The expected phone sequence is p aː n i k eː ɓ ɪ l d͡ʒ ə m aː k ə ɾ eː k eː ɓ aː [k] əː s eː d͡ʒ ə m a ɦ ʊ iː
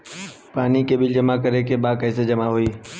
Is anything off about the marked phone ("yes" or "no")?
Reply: no